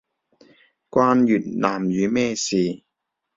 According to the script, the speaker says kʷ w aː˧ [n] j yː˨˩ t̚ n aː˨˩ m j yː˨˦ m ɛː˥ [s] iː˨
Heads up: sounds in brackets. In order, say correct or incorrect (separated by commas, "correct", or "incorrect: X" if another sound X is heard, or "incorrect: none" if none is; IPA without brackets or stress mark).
correct, correct